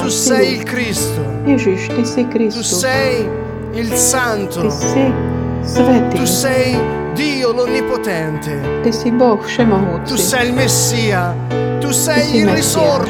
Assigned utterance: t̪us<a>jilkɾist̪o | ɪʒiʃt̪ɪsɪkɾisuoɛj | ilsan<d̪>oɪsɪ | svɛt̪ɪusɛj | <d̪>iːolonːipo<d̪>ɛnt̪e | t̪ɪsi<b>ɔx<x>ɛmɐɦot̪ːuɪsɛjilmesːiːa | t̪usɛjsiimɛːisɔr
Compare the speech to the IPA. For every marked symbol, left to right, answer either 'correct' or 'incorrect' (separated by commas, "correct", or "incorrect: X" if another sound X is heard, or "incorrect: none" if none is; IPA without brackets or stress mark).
incorrect: ɛ, incorrect: t̪, correct, incorrect: t̪, correct, incorrect: ʃ